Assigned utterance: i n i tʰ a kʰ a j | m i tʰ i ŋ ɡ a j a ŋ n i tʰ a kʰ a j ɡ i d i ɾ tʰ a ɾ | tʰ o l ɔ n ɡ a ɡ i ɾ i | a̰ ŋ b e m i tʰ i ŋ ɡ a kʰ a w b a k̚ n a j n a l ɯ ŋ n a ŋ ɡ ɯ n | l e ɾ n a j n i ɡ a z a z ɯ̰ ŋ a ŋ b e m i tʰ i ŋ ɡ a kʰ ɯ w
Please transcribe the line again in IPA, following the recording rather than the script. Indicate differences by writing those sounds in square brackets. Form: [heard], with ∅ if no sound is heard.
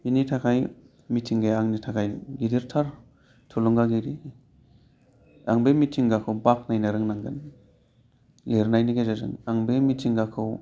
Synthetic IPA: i n i tʰ a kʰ a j | m i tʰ i ŋ ɡ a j a ŋ n i tʰ a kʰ a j ɡ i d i ɾ tʰ a ɾ | tʰ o l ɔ [ŋ] ɡ a ɡ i ɾ i | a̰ ŋ b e m i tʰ i ŋ ɡ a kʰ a w b a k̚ n a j n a [ɾ] ɯ ŋ n a ŋ ɡ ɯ n | l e ɾ n a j n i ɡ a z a z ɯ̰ ŋ a ŋ b e m i tʰ i ŋ ɡ a kʰ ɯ w